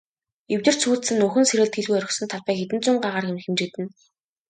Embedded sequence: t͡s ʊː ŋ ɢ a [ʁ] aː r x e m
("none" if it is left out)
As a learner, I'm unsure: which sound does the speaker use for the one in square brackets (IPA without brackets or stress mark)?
ʁ